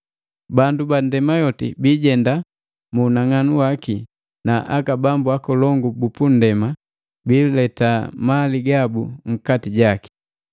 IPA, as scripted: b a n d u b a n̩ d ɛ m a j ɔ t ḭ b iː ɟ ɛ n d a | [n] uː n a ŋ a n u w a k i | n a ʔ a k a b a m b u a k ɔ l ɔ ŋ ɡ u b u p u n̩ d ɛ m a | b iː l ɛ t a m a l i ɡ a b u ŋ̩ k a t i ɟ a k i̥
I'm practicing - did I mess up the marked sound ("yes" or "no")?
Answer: yes